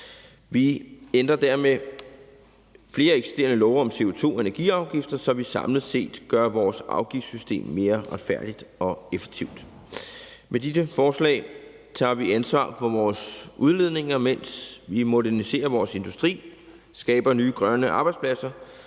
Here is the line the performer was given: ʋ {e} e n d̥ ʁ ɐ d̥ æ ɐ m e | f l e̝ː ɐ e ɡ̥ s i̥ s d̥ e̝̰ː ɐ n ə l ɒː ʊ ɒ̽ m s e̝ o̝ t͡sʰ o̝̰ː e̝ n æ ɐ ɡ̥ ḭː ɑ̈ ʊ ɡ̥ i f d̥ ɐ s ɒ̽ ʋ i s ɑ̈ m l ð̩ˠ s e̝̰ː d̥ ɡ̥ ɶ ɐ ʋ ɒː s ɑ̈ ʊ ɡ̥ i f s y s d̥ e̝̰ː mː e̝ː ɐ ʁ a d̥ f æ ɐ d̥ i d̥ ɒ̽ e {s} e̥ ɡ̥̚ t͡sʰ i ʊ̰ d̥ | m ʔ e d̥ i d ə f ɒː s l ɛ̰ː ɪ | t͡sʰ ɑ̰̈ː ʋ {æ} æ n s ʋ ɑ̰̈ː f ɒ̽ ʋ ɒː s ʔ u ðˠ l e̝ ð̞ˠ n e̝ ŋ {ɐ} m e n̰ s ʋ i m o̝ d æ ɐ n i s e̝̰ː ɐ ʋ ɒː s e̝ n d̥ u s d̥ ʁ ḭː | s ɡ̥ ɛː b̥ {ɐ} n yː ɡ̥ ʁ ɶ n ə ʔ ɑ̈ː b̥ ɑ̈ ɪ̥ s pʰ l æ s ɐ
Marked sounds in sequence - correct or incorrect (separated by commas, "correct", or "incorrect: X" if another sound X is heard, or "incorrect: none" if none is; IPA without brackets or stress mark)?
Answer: incorrect: i, incorrect: f, incorrect: i, correct, correct